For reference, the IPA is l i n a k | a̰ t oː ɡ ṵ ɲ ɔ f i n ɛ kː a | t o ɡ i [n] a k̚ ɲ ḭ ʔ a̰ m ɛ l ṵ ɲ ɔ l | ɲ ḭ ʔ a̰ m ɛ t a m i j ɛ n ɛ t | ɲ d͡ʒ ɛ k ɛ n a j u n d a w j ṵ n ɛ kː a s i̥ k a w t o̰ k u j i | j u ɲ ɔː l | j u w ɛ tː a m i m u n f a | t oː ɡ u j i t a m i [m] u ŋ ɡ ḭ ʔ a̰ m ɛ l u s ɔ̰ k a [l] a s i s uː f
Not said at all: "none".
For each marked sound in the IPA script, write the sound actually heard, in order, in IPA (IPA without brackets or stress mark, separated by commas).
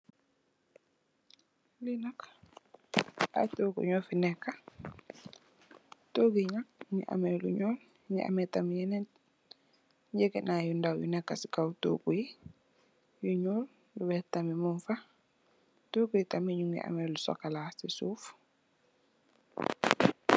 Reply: ɲ, ɲ, l